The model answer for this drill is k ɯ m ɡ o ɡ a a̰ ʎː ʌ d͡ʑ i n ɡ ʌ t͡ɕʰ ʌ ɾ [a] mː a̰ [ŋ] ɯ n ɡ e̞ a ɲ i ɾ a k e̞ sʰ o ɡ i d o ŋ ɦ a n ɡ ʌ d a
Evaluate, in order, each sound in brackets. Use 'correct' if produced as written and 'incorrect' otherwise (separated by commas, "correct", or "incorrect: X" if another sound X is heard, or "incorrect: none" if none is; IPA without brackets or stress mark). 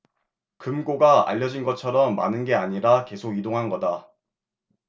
incorrect: ʌ, incorrect: n